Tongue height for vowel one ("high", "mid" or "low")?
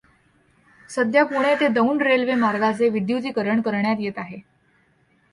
mid